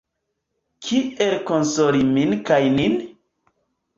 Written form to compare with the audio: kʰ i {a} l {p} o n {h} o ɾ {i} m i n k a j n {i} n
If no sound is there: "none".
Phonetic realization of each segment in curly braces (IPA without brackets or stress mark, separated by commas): e, k, s, i, i